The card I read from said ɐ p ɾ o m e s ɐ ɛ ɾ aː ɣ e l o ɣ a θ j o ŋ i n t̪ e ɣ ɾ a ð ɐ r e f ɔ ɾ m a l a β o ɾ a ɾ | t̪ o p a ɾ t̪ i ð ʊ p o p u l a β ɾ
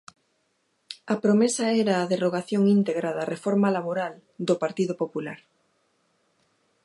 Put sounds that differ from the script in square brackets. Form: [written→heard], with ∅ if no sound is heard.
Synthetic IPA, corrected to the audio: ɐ p ɾ o m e s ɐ ɛ ɾ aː [ɣ→ð] e [l→r] o ɣ a θ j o ŋ i n t̪ e ɣ ɾ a ð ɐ r e f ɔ ɾ m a l a β o ɾ a [ɾ→l] | [t̪→d̪] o p a ɾ t̪ i ð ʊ p o p u l a [β→∅] ɾ

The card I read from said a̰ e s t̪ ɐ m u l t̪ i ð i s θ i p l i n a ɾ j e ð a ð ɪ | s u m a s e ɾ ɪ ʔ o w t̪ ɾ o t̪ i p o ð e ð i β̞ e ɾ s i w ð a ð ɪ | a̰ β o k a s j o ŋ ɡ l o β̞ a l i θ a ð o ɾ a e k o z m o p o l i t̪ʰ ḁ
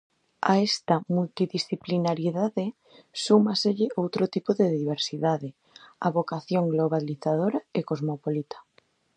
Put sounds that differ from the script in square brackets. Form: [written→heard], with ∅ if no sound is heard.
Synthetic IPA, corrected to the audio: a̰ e s t̪ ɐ m u l t̪ i ð i s θ i p l i n a ɾ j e ð a ð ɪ | s u m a s e [ɾ→ʎ] ɪ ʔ o w t̪ ɾ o t̪ i p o ð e ð i β̞ e ɾ s i [w→∅] ð a ð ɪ | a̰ β o k a [s→θ] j o ŋ ɡ l o β̞ a l i θ a ð o ɾ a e k o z m o p o l i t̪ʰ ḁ

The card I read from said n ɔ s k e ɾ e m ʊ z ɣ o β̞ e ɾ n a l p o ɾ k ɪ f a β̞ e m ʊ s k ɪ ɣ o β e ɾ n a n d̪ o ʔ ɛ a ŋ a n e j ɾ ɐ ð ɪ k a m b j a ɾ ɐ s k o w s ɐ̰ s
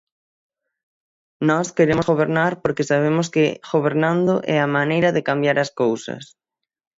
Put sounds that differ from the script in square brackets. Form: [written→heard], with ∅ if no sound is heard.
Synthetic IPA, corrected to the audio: n ɔ s k e ɾ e m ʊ z ɣ o β̞ e ɾ n a [l→ɾ] p o ɾ k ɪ [f→s] a β̞ e m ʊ s k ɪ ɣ o β e ɾ n a n d̪ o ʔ ɛ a [ŋ→m] a n e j ɾ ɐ ð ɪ k a m b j a ɾ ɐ s k o w s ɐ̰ s

